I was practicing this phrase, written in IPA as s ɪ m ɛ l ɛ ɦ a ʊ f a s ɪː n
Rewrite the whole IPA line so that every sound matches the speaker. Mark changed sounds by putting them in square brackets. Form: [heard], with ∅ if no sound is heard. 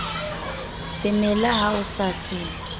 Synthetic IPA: s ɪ m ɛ l [a] ɦ a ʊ [s] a s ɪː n